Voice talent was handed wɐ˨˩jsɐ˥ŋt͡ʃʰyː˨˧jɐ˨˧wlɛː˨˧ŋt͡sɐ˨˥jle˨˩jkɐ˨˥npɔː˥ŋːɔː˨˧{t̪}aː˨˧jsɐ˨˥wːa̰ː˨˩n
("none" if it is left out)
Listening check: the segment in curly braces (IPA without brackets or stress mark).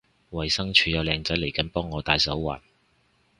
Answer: t̪